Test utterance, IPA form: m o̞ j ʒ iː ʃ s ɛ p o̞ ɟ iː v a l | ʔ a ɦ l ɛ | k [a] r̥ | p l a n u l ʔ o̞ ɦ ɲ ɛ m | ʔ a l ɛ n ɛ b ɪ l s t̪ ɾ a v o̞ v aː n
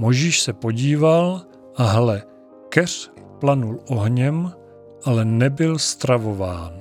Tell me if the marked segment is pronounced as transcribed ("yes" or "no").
no